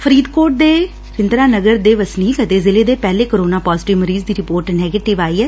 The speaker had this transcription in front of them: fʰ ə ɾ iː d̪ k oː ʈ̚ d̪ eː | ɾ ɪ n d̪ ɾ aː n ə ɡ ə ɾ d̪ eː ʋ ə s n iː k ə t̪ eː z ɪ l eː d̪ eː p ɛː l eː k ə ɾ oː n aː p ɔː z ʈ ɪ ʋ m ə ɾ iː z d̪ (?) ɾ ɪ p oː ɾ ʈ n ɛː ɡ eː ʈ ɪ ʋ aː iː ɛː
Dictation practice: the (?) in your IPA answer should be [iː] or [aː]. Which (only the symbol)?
iː